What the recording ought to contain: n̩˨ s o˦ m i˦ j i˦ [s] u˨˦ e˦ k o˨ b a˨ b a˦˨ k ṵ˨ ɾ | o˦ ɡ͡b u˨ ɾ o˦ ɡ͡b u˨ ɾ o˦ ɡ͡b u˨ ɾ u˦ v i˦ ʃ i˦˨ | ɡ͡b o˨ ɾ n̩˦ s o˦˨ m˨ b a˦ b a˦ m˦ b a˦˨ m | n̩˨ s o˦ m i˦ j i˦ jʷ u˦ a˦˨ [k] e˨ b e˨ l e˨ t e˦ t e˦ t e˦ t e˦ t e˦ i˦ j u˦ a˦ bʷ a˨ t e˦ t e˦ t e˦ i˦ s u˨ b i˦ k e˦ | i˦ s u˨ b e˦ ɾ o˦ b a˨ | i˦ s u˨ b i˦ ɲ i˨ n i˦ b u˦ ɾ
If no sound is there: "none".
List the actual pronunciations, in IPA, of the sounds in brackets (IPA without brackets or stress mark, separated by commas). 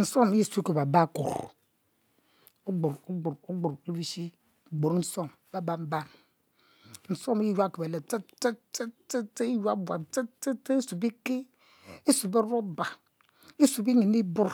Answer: s, k